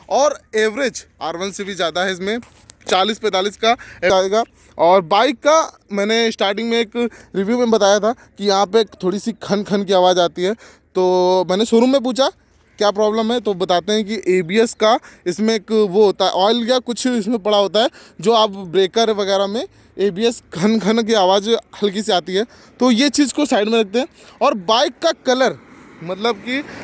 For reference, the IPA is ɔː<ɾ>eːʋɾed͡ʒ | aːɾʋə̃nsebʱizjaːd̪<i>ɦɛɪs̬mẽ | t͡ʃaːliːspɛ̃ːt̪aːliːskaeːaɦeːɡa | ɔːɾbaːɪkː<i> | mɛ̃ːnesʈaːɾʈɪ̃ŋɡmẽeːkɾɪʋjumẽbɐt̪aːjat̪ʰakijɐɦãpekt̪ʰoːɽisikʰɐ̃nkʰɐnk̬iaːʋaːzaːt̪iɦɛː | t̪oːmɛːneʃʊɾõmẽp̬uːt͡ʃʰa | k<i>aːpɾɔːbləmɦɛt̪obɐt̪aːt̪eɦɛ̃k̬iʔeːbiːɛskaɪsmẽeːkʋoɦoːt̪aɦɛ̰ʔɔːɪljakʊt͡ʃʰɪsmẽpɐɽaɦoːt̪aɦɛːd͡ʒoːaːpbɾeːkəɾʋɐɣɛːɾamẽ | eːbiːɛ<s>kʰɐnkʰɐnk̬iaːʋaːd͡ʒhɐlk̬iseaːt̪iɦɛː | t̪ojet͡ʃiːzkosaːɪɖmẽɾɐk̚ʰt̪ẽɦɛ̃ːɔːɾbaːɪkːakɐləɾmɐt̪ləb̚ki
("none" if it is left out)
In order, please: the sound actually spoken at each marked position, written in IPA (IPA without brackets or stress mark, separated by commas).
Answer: ɾ, a, a, j, s